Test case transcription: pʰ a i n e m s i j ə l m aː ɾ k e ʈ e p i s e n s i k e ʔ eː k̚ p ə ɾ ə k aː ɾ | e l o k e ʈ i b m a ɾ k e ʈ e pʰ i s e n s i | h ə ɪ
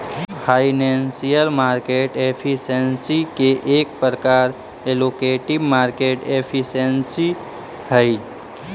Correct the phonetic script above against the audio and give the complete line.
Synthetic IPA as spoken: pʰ a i n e n s i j ə l m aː ɾ k e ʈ e pʰ i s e n s i k e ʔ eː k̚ p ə ɾ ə k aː ɾ | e l o k e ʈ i b m a ɾ k e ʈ e pʰ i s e n s i | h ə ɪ